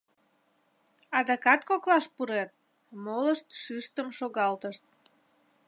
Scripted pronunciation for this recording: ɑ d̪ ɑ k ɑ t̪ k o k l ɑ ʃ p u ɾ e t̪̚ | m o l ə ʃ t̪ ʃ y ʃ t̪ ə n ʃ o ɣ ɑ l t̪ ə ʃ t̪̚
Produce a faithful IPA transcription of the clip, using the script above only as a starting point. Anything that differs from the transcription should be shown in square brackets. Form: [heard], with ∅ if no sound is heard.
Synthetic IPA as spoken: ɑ d̪ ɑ k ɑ t̪ k o k l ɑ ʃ p u ɾ e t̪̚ | m o l ə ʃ t̪ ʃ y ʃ t̪ ə [m] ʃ o ɣ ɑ l t̪ ə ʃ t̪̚